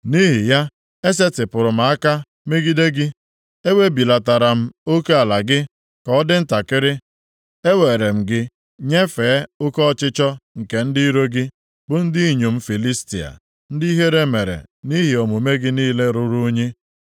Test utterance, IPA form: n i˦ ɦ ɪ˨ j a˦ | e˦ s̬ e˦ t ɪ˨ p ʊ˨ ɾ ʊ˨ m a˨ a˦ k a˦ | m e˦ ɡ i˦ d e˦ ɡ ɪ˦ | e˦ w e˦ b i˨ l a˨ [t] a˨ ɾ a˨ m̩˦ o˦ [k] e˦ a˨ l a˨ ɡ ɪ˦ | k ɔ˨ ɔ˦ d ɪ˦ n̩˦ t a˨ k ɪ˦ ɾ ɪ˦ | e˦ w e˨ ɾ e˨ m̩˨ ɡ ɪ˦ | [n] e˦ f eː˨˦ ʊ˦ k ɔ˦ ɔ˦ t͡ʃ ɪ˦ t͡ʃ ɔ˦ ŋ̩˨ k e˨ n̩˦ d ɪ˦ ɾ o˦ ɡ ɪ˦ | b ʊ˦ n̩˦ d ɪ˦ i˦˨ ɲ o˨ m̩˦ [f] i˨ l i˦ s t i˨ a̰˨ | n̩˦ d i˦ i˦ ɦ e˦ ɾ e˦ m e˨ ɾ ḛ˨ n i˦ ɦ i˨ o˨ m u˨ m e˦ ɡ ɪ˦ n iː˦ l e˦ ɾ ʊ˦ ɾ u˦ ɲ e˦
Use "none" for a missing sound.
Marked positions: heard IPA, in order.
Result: t, k, ɲ, f

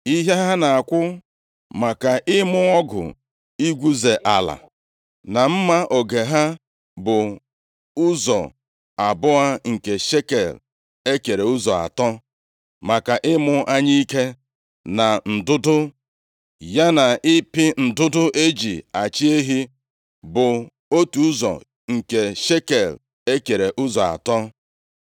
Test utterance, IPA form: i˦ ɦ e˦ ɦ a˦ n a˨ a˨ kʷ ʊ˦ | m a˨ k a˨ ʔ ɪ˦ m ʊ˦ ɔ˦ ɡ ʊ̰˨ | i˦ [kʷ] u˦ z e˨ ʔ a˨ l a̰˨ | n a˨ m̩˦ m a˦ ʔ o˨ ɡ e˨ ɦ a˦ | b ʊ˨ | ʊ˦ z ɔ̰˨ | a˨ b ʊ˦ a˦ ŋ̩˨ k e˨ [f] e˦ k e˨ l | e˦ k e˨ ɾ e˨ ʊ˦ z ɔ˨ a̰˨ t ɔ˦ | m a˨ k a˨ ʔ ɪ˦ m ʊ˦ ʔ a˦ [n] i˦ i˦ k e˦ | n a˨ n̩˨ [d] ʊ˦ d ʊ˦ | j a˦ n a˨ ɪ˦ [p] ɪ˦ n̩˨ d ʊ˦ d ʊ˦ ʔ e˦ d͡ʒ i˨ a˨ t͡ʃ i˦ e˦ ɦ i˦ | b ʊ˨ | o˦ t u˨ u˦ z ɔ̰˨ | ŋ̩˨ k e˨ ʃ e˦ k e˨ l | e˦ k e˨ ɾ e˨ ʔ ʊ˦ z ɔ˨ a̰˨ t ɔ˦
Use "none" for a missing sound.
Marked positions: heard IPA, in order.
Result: ɡʷ, ʃ, ɲ, d, p

